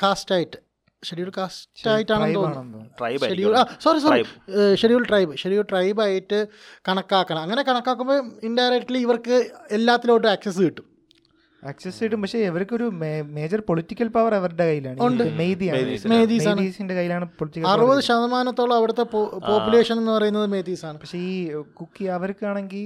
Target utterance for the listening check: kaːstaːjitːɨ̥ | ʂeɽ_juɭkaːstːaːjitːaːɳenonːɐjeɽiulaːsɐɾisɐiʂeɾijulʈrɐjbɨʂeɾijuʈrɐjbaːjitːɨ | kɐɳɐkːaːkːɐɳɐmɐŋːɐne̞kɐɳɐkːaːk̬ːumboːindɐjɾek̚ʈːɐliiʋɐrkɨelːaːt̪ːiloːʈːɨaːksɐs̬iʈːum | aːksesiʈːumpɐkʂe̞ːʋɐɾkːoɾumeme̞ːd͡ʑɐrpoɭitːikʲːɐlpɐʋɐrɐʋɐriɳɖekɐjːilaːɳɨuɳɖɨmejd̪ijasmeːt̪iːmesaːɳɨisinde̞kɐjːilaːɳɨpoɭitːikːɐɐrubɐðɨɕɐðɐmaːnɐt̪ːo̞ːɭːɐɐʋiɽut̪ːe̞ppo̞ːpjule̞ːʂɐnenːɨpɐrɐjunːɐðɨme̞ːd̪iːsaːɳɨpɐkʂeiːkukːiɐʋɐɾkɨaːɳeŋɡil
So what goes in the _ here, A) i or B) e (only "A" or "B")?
A